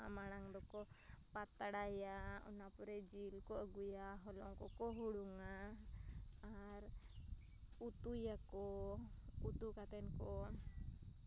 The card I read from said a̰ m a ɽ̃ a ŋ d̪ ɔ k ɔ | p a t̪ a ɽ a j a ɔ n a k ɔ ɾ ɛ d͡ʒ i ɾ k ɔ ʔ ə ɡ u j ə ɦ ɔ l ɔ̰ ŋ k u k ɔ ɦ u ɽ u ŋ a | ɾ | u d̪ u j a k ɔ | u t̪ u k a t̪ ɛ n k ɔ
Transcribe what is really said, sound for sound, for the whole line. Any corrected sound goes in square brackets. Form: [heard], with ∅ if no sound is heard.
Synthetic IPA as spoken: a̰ m a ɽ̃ a ŋ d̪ ɔ k ɔ | p a t̪ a ɽ a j a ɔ n a [p] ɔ ɾ ɛ d͡ʒ i [l] k ɔ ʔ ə ɡ u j [a] ɦ ɔ l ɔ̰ ŋ k [ɔ] k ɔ ɦ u ɽ u ŋ a | ɾ | u [t̪] u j a k ɔ | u t̪ u k a t̪ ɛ n k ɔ